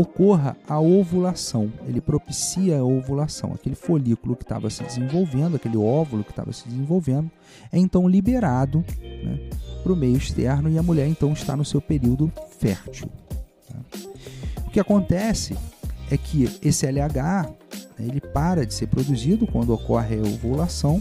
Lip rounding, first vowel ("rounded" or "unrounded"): rounded